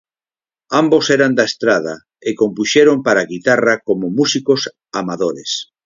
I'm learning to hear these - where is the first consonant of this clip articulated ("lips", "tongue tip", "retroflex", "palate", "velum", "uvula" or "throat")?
lips